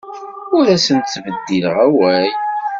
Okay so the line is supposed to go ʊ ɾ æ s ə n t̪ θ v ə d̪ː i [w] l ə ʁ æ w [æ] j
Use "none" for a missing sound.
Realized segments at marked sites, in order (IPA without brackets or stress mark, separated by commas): none, æ